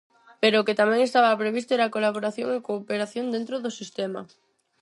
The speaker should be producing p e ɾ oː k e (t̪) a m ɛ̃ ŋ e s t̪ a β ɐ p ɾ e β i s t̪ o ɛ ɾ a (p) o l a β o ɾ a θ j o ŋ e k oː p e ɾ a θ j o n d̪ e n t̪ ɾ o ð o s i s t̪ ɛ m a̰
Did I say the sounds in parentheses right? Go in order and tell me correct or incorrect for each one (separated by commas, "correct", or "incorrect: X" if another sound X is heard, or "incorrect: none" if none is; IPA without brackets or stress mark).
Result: correct, incorrect: k